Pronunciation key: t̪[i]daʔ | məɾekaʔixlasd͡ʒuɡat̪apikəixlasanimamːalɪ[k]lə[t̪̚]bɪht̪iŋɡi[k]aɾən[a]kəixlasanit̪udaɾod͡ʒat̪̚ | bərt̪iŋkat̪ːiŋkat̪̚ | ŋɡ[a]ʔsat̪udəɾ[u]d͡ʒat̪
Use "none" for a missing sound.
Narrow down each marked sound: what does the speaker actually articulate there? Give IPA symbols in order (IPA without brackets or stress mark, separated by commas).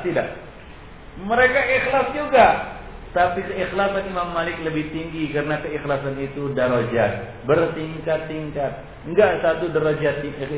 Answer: i, k, none, k, a, a, o